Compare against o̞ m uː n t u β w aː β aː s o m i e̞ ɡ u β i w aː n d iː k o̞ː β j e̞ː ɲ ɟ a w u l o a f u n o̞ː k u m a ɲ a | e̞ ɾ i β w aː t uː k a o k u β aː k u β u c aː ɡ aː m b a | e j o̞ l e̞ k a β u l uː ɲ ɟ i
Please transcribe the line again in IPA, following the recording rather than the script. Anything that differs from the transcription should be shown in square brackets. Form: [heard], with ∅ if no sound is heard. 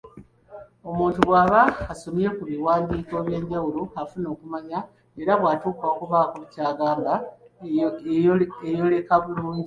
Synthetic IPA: o̞ m uː n t u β w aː β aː s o m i e̞ [k] u β i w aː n d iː k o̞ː β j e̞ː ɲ ɟ a w u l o a f u n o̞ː k u m a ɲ a | e̞ ɾ [a] β w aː t uː k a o k u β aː k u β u c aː ɡ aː m b a | e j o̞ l e̞ k a β u l uː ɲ ɟ i